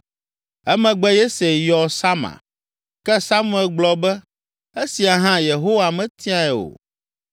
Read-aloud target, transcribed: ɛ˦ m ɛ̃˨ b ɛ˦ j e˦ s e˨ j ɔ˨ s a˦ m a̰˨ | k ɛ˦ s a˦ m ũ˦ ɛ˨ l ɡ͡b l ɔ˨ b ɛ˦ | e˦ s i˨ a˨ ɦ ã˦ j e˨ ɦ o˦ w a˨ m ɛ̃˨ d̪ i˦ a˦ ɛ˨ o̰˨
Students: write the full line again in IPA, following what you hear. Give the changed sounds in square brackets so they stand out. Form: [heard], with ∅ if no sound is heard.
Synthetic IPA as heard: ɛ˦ m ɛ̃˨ [ɡ͡b] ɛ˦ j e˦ s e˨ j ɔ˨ s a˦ m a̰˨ | k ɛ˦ s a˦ m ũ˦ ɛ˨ l ɡ͡b l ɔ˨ b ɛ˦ | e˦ s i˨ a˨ ɦ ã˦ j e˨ ɦ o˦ w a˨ m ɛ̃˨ [t̪] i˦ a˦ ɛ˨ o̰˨